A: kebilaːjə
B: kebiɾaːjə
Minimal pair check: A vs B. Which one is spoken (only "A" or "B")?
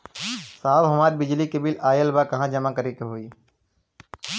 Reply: A